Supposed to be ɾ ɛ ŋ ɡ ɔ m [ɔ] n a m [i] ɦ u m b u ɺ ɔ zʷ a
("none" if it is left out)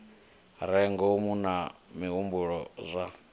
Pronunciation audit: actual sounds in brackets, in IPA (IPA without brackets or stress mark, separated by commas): u, i